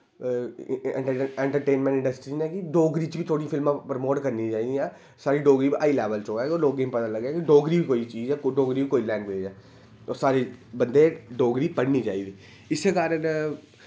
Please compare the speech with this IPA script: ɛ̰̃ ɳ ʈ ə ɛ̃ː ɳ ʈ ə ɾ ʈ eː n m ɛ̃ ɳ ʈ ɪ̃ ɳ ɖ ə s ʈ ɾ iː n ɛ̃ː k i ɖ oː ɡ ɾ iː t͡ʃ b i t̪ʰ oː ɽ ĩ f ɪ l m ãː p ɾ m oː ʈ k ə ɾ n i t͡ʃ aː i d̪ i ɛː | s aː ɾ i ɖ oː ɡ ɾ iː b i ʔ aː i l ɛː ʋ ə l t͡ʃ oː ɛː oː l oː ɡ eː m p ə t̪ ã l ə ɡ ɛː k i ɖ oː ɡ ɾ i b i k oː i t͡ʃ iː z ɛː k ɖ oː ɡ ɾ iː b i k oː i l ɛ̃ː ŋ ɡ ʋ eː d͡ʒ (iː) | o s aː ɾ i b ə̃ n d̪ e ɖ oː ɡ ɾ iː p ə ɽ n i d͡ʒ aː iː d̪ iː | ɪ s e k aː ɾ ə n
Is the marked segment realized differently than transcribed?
yes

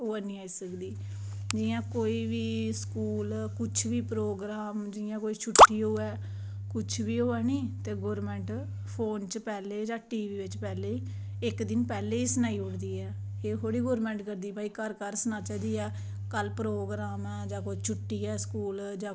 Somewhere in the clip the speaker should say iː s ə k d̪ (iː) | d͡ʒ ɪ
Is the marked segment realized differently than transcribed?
no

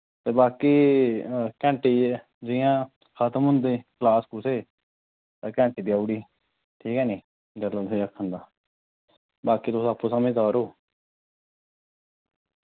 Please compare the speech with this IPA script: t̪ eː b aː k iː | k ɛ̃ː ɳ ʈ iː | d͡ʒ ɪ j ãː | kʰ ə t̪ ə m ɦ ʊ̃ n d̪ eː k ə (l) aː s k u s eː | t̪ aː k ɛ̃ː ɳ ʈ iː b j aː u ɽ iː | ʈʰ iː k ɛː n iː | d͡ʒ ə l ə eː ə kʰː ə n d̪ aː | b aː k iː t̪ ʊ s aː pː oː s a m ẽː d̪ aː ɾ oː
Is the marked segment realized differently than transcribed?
no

